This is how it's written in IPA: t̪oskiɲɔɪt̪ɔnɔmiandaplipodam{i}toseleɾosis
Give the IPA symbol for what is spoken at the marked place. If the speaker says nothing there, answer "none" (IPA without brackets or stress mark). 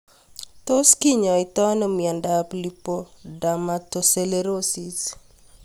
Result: a